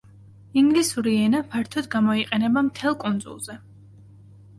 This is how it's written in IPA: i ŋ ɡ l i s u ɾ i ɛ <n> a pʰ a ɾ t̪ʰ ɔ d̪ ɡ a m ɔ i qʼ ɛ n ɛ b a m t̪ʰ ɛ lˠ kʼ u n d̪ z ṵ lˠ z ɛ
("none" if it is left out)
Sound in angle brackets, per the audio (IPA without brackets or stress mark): n